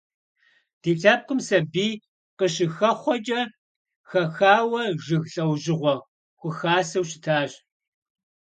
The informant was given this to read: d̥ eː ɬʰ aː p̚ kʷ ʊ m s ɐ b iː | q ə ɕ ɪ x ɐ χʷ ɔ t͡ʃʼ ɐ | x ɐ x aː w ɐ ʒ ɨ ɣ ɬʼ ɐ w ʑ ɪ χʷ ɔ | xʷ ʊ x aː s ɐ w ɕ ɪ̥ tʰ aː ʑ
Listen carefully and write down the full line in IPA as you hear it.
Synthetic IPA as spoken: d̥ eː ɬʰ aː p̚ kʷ ʊ m s ɐ b iː | q ə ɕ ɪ x ɐ χʷ ɔ t͡ʃʼ ɐ | x ɐ x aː w ɐ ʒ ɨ ɣ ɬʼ ɐ w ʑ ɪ ʁʷ ɔ | xʷ ʊ x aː s ɐ w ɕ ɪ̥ tʰ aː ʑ